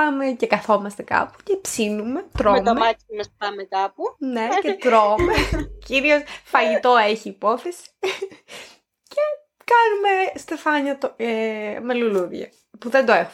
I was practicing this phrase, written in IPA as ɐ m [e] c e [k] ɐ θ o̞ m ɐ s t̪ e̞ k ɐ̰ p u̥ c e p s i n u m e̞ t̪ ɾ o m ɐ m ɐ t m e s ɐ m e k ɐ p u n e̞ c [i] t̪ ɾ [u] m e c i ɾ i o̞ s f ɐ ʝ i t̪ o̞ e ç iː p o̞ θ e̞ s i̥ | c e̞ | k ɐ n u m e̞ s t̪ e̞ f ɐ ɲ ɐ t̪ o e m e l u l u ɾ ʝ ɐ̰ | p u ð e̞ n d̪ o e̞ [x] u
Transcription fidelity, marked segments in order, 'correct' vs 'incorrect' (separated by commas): correct, correct, incorrect, incorrect, correct